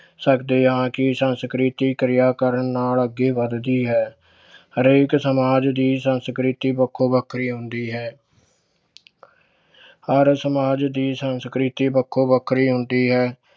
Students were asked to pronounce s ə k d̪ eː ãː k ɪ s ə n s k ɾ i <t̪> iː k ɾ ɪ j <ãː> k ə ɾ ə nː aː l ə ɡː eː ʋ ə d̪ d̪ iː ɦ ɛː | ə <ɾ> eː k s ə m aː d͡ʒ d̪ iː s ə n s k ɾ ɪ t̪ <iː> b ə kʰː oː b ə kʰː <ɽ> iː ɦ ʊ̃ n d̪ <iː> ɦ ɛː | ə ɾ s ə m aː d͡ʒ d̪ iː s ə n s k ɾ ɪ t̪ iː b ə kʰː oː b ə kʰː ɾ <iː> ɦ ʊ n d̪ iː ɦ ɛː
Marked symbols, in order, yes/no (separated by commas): yes, no, yes, yes, no, yes, yes